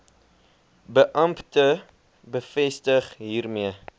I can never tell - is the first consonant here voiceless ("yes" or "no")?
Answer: no